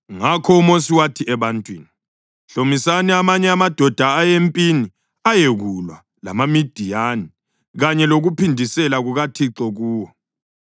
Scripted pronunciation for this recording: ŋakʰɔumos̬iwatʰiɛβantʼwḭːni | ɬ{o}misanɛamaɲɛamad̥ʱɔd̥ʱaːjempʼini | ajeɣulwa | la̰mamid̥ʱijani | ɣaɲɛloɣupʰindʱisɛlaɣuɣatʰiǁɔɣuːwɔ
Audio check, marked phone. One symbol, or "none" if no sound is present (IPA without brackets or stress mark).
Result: o